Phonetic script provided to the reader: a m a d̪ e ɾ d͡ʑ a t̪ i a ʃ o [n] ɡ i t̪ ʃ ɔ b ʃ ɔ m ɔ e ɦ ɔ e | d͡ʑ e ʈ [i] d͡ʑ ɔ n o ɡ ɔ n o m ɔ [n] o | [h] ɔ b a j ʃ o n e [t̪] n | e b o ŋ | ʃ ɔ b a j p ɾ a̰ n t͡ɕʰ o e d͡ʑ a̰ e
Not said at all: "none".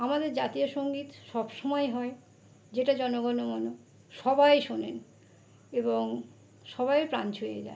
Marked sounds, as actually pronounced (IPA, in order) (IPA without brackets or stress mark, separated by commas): ŋ, a, n, ʃ, none